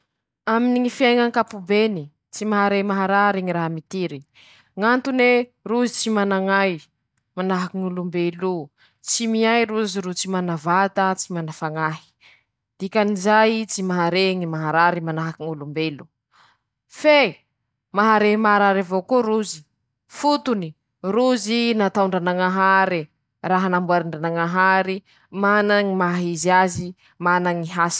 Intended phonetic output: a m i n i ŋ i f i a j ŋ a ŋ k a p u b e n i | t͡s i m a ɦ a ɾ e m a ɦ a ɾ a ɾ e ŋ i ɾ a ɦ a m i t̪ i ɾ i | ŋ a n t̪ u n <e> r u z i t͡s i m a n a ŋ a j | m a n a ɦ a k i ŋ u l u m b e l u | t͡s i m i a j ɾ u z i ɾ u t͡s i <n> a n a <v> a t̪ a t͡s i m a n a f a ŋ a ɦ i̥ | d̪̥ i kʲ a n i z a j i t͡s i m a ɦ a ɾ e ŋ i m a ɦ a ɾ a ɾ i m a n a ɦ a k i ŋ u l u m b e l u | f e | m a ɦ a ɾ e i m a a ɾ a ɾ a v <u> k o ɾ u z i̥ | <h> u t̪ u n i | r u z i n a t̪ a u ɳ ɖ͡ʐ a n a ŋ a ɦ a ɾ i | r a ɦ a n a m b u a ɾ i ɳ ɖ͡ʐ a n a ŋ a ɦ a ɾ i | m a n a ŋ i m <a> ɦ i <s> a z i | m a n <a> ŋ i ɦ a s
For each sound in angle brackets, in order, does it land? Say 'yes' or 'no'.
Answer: yes, no, yes, no, no, yes, no, yes

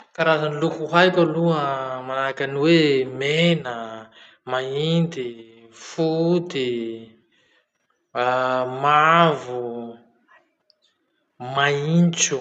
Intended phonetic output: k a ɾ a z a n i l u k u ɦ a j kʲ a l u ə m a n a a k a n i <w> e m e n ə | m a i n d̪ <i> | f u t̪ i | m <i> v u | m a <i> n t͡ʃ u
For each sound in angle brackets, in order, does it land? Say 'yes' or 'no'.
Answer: yes, yes, no, yes

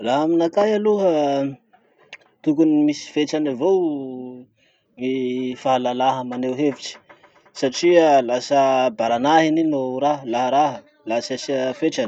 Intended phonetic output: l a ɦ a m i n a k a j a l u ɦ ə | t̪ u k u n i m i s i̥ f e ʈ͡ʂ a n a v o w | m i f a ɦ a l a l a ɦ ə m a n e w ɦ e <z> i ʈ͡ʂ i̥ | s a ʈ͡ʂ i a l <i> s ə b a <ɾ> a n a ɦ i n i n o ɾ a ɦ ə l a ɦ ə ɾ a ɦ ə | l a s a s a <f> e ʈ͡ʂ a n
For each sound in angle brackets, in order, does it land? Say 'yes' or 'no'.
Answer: no, no, yes, yes

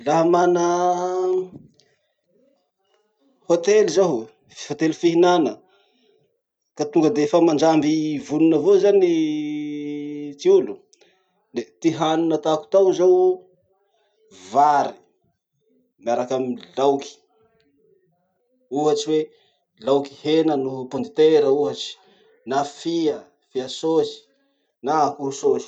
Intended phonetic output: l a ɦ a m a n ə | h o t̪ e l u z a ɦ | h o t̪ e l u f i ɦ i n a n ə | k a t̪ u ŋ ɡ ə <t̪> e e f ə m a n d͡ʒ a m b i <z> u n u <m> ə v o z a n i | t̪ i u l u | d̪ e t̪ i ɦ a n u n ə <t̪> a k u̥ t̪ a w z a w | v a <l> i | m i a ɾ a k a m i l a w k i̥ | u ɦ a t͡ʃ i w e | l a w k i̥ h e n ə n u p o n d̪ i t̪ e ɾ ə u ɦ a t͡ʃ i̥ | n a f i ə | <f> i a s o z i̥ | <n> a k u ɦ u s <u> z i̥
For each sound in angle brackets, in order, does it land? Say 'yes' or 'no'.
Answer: no, no, no, yes, no, yes, yes, no

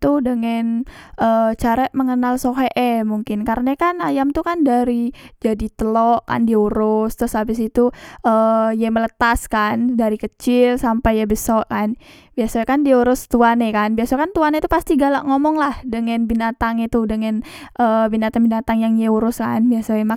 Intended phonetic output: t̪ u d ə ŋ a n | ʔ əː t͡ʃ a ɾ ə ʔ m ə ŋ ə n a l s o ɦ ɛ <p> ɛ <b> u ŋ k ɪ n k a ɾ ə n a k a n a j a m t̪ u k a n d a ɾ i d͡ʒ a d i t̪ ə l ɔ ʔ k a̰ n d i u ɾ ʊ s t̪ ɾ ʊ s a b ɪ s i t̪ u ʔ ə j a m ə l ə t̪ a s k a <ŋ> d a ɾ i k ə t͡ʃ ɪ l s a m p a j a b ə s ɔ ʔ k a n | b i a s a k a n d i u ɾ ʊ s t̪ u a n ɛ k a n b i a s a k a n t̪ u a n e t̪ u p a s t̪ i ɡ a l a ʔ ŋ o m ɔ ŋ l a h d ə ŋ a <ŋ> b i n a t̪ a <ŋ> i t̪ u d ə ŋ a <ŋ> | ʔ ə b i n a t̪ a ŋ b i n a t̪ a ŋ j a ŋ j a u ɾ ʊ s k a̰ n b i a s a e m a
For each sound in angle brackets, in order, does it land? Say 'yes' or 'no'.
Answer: no, no, no, no, yes, no

